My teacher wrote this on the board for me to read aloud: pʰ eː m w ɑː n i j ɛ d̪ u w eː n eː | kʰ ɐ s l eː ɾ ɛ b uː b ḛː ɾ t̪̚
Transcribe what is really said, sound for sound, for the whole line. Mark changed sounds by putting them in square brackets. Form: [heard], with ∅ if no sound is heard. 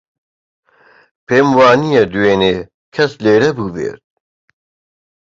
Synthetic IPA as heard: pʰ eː m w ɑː n i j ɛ d̪ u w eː n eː | kʰ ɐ s l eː ɾ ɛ b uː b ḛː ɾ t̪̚

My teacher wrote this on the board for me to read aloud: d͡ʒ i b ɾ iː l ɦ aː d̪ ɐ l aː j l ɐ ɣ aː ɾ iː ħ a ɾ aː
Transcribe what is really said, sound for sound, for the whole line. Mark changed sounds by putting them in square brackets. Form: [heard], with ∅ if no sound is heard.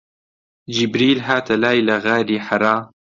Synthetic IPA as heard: d͡ʒ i b ɾ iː l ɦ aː [t̪] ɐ l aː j l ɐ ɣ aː ɾ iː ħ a ɾ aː

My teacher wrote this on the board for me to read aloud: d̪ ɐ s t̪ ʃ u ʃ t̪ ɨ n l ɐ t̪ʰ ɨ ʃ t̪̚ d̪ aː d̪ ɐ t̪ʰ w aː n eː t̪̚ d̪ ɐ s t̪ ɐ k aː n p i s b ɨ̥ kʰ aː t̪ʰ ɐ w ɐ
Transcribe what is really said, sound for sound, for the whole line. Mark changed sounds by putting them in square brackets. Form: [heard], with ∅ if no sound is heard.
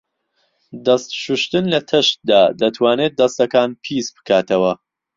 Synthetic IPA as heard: d̪ ɐ s t̪ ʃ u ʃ t̪ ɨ n l ɐ t̪ʰ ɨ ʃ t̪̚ d̪ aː d̪ ɐ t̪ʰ w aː n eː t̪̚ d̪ ɐ s t̪ ɐ k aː n [pʰ] i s b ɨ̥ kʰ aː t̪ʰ ɐ w ɐ

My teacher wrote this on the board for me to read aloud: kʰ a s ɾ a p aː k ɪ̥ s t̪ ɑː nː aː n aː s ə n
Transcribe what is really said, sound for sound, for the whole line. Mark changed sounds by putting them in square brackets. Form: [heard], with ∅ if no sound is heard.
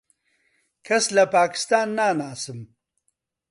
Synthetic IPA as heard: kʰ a s [l] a p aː k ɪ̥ s t̪ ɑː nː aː n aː s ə [m]

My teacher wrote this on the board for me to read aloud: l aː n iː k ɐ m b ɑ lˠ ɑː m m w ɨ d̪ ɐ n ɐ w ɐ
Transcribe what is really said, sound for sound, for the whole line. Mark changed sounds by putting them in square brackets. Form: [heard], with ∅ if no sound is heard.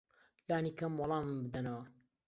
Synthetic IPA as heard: l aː n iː k ɐ m [w] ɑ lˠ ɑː m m [b] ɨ d̪ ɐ n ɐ w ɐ

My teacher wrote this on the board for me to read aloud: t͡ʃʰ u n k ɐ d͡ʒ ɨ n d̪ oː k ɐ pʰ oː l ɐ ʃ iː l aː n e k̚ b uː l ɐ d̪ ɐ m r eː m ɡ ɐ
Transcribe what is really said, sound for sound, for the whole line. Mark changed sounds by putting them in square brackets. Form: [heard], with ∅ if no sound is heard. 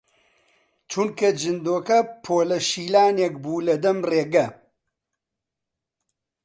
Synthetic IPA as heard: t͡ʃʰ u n k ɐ d͡ʒ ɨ n d̪ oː k ɐ pʰ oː l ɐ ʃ iː l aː n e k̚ b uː l ɐ d̪ ɐ m r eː [∅] ɡ ɐ

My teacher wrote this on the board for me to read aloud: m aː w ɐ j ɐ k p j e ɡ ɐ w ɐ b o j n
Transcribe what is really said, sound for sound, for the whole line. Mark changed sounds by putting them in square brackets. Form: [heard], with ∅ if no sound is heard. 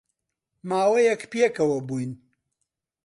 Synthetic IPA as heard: m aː w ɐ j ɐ k p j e [k] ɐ w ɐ b [u] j n

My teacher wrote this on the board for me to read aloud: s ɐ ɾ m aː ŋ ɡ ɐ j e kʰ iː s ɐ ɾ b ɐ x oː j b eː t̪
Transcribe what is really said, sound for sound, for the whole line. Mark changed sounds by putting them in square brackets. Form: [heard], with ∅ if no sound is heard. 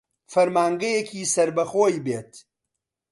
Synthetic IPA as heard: [f] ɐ ɾ m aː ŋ ɡ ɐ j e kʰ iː s ɐ ɾ b ɐ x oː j b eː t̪

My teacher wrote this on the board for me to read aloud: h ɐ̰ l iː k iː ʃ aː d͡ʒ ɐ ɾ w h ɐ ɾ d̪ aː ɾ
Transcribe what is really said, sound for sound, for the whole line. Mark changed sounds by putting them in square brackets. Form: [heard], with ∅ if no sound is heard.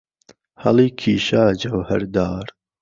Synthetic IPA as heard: h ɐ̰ l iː [kʰ] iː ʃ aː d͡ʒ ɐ [∅] w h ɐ ɾ d̪ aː ɾ

